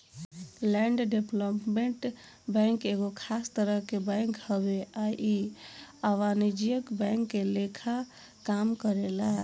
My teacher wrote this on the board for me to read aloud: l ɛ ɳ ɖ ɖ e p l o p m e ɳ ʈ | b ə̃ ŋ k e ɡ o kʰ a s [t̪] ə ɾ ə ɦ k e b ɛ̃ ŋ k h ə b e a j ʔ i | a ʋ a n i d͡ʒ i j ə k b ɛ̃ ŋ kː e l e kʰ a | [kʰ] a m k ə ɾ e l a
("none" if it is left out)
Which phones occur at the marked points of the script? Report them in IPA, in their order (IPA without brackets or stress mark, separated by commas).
t̪, k